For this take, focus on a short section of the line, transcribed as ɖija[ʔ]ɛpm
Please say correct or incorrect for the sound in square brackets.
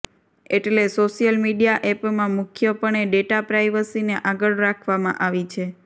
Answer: correct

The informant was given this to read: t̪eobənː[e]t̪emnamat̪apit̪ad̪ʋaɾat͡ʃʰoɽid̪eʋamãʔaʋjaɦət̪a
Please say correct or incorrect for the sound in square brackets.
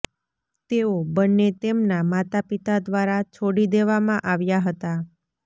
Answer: correct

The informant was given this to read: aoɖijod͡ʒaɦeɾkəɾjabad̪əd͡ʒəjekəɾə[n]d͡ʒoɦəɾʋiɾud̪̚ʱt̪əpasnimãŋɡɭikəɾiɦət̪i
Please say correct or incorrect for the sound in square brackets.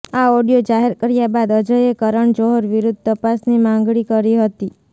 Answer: incorrect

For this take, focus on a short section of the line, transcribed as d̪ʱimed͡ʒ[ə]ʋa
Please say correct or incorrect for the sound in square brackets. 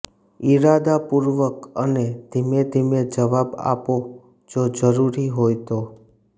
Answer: correct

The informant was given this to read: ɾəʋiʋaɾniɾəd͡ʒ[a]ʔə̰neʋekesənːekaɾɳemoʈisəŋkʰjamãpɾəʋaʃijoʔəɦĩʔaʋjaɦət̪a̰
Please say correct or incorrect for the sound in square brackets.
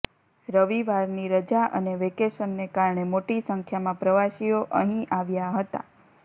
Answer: correct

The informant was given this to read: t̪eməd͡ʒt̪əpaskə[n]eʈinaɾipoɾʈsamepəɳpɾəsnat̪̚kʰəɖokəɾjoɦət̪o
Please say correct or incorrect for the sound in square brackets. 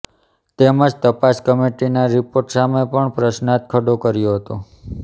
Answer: incorrect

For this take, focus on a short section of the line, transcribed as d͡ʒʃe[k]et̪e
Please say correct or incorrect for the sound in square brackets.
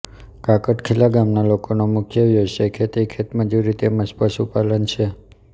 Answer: incorrect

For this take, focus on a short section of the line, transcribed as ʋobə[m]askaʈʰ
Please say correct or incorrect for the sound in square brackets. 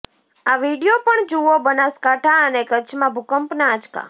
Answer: incorrect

